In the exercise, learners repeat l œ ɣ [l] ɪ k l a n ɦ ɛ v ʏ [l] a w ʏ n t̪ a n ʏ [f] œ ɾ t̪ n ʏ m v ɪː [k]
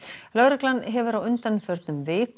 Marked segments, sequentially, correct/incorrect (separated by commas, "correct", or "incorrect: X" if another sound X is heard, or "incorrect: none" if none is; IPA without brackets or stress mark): incorrect: ɾ, incorrect: ɾ, correct, correct